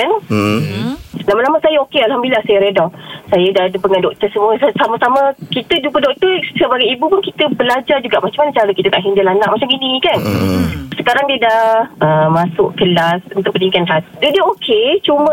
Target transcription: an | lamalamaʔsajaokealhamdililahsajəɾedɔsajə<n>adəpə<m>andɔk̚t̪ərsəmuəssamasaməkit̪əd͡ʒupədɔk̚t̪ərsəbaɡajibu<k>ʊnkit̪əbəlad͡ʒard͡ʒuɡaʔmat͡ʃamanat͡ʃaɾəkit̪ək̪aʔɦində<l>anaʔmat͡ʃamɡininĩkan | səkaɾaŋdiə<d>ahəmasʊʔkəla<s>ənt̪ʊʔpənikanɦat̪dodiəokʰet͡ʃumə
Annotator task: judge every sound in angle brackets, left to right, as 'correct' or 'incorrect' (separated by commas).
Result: incorrect, incorrect, incorrect, correct, correct, correct